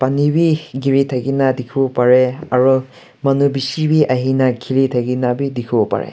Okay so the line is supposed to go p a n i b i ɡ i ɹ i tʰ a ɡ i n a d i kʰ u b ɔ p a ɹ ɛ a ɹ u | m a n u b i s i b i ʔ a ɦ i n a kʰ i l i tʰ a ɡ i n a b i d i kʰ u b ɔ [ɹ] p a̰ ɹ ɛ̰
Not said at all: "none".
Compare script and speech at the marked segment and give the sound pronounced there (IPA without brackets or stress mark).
none